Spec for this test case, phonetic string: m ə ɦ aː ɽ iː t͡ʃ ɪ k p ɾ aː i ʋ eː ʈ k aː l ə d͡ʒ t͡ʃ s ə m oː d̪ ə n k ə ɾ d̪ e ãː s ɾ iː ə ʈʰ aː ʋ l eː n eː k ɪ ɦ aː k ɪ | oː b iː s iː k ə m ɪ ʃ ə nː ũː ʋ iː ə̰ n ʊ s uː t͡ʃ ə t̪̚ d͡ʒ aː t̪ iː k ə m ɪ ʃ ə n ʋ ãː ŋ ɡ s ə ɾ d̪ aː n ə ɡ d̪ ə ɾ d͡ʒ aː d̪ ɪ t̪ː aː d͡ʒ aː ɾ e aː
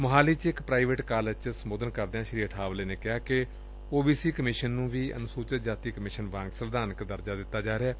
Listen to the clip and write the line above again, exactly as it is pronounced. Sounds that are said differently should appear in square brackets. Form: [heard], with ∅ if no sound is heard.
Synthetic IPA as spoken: m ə ɦ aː [l] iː t͡ʃ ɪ k p ɾ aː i ʋ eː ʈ k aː l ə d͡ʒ t͡ʃ s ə m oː d̪ ə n k ə ɾ d̪ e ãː [ʃ] ɾ iː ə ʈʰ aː ʋ l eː n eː k ɪ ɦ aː k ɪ | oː b iː s iː k ə m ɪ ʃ ə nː ũː ʋ iː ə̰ n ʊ s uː t͡ʃ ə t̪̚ d͡ʒ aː t̪ iː k ə m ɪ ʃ ə n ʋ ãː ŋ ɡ s ə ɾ d̪ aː n ə [k] d̪ ə ɾ d͡ʒ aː d̪ ɪ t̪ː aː d͡ʒ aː ɾ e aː